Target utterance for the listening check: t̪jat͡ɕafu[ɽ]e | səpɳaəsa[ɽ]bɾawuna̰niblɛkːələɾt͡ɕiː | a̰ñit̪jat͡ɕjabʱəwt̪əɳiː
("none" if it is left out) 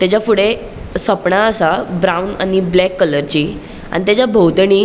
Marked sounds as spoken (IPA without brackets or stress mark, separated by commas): ɽ, none